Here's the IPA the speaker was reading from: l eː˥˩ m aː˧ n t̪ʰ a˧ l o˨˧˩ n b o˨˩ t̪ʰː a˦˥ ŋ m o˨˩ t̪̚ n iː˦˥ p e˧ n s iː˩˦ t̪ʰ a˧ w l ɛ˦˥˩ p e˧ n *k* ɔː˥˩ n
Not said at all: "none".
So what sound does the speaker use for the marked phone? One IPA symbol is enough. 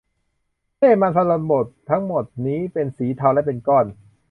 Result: k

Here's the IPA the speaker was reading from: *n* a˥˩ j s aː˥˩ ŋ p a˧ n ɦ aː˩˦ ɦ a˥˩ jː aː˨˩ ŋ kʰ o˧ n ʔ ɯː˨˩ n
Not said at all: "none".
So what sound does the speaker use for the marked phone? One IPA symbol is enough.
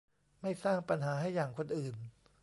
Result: m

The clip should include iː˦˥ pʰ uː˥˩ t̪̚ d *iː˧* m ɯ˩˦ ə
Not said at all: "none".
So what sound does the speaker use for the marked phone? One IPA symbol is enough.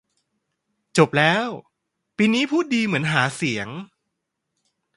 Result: iː˧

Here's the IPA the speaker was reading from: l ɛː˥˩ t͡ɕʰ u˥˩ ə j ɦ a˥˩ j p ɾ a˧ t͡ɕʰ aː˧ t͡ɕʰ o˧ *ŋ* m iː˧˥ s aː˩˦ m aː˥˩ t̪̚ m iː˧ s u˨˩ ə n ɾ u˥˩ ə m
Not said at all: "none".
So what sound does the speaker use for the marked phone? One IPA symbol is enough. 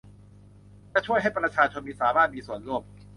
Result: n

